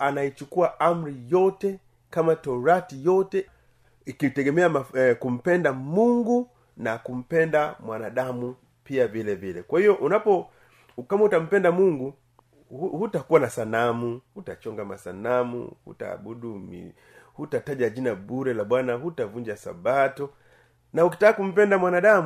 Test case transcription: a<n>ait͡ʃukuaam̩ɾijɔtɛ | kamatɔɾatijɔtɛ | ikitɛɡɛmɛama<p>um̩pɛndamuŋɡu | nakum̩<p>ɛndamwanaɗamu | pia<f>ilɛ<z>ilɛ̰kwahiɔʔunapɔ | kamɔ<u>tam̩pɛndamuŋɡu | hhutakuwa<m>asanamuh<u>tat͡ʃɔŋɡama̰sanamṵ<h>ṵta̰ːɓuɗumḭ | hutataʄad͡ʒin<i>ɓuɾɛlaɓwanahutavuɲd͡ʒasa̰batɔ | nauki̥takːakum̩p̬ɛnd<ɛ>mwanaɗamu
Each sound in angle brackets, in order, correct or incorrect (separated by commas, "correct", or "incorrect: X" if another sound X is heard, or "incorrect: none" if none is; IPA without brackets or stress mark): correct, incorrect: k, correct, incorrect: v, incorrect: v, correct, incorrect: n, correct, correct, incorrect: a, incorrect: a